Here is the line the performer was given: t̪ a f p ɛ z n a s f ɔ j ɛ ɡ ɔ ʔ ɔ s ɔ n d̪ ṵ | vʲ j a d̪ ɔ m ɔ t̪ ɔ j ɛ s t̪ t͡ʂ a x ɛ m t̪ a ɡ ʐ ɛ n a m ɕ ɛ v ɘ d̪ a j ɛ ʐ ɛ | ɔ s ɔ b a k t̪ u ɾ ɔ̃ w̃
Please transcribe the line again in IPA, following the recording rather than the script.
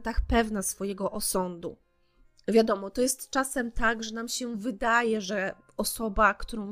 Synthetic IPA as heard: t̪ a x p ɛ v n a s f ɔ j ɛ ɡ ɔ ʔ ɔ s ɔ n d̪ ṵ | vʲ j a d̪ ɔ m ɔ t̪ ɔ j ɛ s t̪ t͡ʂ a s ɛ m t̪ a ɡ ʐ ɛ n a m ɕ ɛ v ɘ d̪ a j ɛ ʐ ɛ | ɔ s ɔ b a k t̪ u ɾ ɔ̃ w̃